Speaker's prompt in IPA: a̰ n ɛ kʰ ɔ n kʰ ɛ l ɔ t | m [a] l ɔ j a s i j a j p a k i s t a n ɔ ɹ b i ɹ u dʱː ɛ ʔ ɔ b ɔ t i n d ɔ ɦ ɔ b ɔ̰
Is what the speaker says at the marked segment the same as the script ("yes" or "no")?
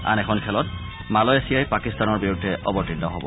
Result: yes